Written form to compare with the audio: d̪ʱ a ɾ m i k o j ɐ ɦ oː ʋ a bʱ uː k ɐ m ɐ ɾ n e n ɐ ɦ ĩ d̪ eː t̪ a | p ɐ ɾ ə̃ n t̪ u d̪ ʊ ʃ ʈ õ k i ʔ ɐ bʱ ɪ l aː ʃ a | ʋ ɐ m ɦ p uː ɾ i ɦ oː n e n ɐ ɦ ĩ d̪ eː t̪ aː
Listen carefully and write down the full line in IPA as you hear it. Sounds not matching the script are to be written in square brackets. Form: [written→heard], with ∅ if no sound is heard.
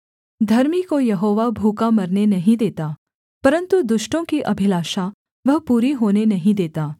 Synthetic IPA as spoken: d̪ʱ [a→ɐ] ɾ m i k o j ɐ ɦ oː ʋ a bʱ uː k [ɐ→a] m ɐ ɾ n e n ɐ ɦ ĩ d̪ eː t̪ a | p ɐ ɾ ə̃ n t̪ u d̪ ʊ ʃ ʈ õ k i ʔ ɐ bʱ ɪ l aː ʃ a | ʋ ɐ [m→∅] ɦ p uː ɾ i ɦ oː n e n ɐ ɦ ĩ d̪ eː t̪ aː